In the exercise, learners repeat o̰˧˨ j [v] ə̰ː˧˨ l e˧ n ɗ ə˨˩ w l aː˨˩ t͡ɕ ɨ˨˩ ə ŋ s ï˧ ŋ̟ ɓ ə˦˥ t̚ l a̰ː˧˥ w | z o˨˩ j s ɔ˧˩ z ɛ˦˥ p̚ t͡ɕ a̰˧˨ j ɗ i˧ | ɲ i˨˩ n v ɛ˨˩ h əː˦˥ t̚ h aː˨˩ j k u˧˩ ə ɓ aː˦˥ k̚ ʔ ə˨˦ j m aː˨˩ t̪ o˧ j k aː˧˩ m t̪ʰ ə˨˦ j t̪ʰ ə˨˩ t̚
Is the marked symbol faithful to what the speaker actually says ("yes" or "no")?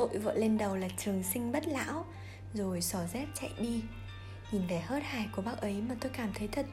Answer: yes